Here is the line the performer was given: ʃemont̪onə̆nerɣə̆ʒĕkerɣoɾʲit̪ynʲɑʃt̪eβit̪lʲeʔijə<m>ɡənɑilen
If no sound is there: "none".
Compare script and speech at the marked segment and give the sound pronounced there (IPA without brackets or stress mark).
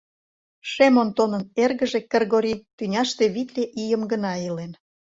m